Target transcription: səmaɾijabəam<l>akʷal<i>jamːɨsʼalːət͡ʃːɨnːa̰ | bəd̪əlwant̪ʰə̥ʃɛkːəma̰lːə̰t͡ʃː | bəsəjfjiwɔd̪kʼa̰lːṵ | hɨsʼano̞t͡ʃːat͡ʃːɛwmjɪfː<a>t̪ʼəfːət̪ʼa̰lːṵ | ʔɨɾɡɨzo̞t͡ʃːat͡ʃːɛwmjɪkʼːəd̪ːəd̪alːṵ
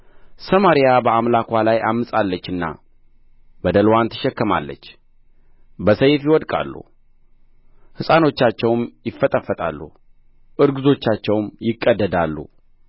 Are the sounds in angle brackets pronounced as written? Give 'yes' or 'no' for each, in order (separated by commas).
yes, no, no